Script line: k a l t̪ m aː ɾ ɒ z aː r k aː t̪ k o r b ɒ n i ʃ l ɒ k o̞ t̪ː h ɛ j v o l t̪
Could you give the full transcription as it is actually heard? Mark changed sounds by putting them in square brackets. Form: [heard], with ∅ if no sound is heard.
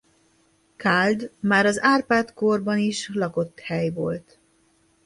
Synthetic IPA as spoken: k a l [d̪] m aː ɾ ɒ z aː r [p] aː t̪ k o r b ɒ n i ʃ l ɒ k o̞ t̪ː h ɛ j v o l t̪